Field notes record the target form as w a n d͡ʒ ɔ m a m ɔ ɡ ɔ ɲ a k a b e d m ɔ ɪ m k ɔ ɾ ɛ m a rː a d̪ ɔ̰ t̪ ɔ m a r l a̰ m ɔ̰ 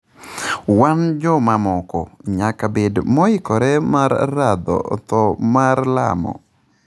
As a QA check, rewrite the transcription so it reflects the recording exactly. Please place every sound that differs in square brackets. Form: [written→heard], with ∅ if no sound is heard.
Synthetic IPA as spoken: w a n d͡ʒ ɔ m a m ɔ [ɡ→k] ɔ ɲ a k a b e d m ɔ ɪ [m→∅] k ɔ ɾ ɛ m a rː a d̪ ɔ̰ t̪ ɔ m a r l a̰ m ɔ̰